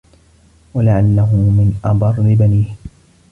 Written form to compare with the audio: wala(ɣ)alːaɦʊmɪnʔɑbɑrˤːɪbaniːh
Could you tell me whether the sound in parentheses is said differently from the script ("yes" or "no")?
yes